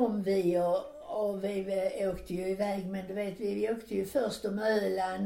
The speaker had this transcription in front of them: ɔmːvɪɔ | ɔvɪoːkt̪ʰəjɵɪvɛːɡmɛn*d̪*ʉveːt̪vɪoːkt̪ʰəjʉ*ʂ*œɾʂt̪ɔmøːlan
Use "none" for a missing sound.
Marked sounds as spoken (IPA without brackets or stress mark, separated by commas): d̪, f